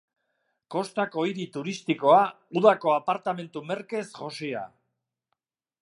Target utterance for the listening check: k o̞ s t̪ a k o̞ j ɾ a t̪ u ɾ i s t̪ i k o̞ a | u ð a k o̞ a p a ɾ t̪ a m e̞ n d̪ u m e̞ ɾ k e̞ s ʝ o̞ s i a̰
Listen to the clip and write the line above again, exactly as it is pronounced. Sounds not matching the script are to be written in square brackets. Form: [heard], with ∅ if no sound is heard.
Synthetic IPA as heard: k o̞ s t̪ a k o̞ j ɾ [i] t̪ u ɾ i s t̪ i k o̞ a | u ð a k o̞ a p a ɾ t̪ a m e̞ n [t̪] u m e̞ ɾ k e̞ s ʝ o̞ s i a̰

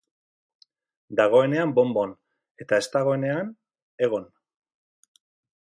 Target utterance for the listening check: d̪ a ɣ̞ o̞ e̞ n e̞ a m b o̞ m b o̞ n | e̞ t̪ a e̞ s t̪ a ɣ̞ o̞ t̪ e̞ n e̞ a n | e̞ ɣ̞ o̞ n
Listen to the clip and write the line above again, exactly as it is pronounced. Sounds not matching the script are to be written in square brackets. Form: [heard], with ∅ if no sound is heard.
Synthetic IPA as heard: d̪ a ɣ̞ o̞ e̞ n e̞ a m b o̞ m b o̞ n | e̞ t̪ a e̞ s t̪ a ɣ̞ o̞ [∅] e̞ n e̞ a n | e̞ ɣ̞ o̞ n

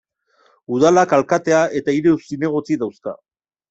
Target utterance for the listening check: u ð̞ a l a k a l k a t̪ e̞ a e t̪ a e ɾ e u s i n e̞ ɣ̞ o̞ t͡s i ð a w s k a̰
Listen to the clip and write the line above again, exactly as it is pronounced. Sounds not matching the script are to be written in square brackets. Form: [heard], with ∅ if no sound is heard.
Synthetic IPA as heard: u ð̞ a l a k a l k a t̪ e̞ a e t̪ a [i] ɾ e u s i n e̞ ɣ̞ o̞ t͡s i ð a w s k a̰

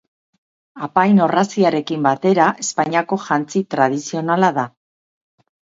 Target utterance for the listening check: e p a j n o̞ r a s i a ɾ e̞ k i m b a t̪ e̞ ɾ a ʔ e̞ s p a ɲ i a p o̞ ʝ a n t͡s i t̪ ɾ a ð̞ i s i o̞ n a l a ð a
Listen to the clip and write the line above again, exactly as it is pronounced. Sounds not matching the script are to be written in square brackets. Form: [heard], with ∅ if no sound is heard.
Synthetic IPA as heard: [a] p a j n o̞ r a s i a ɾ e̞ k i m b a t̪ e̞ ɾ a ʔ e̞ s p a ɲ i a [k] o̞ ʝ a n t͡s i t̪ ɾ a ð̞ i s i o̞ n a l a ð a

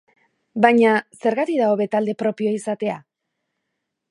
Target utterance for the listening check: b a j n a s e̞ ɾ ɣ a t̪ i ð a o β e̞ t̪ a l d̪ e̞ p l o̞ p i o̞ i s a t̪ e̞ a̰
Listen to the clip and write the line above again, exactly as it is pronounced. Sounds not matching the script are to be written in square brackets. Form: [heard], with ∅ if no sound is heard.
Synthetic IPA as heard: b a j [ɲ] a s e̞ ɾ ɣ a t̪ i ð a o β e̞ t̪ a l d̪ e̞ p [ɾ] o̞ p i o̞ i s a t̪ e̞ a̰

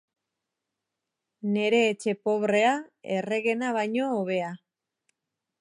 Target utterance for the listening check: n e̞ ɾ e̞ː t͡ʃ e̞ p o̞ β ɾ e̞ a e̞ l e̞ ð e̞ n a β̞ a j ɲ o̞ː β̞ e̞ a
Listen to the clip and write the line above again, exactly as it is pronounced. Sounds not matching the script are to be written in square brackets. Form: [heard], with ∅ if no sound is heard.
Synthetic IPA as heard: n e̞ ɾ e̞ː t͡ʃ e̞ p o̞ β ɾ e̞ a e̞ [r] e̞ [ɣ] e̞ n a β̞ a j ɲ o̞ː β̞ e̞ a

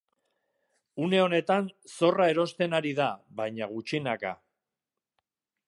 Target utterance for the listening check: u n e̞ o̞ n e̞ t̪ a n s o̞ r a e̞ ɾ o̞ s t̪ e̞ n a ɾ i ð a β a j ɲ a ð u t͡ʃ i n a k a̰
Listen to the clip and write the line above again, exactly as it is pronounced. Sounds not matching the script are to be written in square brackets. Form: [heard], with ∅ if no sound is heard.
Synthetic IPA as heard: u n e̞ o̞ n e̞ t̪ a n s o̞ r a e̞ ɾ o̞ s t̪ e̞ n a ɾ i ð a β a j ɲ a [ɣ] u t͡ʃ i n a k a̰

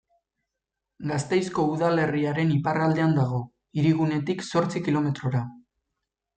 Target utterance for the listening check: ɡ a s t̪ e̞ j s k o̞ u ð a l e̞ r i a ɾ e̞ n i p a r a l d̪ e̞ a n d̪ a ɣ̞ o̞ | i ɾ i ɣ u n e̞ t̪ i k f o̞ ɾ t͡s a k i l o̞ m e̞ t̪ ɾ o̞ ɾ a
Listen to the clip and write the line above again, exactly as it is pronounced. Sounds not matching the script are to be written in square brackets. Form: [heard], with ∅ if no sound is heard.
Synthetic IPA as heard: ɡ a s t̪ e̞ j s k o̞ u ð a l e̞ r i a ɾ e̞ n i p a r a l d̪ e̞ a n d̪ a ɣ̞ o̞ | i ɾ i ɣ u n e̞ t̪ i k [s] o̞ ɾ t͡s [i] k i l o̞ m e̞ t̪ ɾ o̞ ɾ a

